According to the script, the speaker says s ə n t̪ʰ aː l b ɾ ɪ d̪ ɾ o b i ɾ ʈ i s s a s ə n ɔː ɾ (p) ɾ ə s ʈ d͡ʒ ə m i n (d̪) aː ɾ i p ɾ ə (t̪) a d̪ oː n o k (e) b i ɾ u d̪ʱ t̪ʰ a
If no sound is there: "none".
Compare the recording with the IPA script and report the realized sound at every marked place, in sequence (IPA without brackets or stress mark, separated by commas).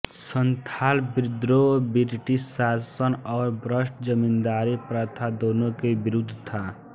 b, d̪, t̪ʰ, e